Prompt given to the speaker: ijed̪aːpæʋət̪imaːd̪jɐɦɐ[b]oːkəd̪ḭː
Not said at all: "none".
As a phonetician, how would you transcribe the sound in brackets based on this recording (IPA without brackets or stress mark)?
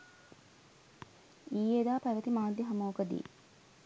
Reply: m